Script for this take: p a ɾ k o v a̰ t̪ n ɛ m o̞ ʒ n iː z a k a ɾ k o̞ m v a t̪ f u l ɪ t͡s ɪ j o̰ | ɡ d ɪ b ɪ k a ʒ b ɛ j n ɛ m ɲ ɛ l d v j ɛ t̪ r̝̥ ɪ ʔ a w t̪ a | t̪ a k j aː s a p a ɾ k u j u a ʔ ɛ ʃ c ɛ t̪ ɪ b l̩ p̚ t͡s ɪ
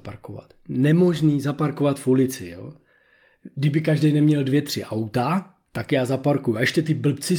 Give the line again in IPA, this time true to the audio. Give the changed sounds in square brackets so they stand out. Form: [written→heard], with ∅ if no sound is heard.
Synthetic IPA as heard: p a ɾ k o v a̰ t̪ n ɛ m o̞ ʒ n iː z a [k→p] a ɾ k o̞ [m→∅] v a t̪ f u l ɪ t͡s ɪ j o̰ | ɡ d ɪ b ɪ k a ʒ [b→d] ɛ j n ɛ m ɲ ɛ l d v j ɛ t̪ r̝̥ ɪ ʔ a w t̪ a | t̪ a k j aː [s→z] a p a ɾ k u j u a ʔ ɛ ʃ c ɛ t̪ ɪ b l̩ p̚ t͡s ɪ